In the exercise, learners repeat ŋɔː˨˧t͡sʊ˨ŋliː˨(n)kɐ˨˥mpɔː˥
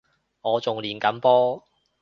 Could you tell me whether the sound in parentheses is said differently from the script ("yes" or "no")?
no